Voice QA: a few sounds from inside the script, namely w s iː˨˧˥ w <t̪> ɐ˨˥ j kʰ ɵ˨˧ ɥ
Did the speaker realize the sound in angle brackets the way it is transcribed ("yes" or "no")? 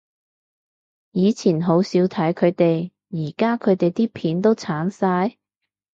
no